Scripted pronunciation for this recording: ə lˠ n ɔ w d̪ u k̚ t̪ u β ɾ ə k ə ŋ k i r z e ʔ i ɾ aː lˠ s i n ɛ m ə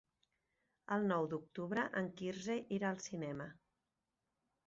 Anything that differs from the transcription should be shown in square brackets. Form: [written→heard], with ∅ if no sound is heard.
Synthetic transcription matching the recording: ə lˠ n ɔ w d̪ u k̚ t̪ u β ɾ ə [k→ʔ] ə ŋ k i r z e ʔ i ɾ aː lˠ s i n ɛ m ə